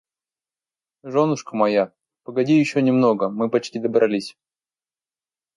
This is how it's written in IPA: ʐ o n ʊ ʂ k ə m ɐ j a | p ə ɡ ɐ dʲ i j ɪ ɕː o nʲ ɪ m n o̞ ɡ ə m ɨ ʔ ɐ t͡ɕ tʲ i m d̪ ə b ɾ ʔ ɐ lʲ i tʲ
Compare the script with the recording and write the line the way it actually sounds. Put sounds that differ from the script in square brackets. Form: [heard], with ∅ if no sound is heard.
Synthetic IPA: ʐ o n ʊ ʂ k ə m ɐ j a | p ə ɡ ɐ dʲ i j ɪ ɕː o nʲ ɪ m n o̞ ɡ ə m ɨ [p] ɐ t͡ɕ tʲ i [∅] d̪ ə b ɾ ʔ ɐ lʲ i [sʲ]